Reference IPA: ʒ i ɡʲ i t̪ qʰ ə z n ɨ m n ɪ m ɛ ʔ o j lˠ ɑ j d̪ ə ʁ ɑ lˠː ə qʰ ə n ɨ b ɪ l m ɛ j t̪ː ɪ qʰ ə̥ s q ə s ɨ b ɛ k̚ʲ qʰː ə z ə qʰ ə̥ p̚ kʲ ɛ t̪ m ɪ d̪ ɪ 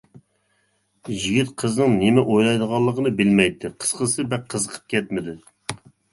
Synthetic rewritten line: ʒ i ɡʲ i t̪ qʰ ə z n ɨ ŋ n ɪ m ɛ ʔ o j lˠ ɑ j d̪ ə ʁ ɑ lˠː ə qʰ ə n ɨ b ɪ l m ɛ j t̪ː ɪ qʰ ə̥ s q ə s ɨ b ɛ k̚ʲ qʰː ə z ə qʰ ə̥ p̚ kʲ ɛ t̪ m ɪ d̪ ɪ